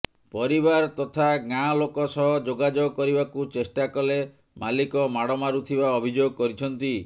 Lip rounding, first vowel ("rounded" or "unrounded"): rounded